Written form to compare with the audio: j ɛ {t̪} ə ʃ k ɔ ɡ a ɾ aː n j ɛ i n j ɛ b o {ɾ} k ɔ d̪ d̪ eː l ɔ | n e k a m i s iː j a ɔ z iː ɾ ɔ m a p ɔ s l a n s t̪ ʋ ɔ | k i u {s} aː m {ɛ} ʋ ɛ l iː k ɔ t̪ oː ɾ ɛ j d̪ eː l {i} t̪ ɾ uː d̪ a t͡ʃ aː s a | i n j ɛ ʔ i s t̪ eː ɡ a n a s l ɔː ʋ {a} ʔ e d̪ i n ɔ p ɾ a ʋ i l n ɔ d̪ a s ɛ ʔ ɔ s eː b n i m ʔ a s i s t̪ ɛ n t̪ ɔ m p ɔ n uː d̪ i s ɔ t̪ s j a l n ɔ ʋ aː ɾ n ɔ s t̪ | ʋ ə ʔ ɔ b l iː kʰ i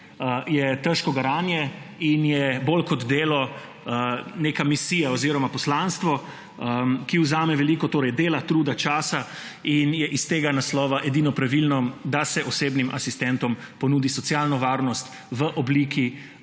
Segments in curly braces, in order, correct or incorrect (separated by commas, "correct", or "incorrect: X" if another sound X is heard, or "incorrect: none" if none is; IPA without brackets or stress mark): correct, incorrect: l, incorrect: z, correct, incorrect: a, correct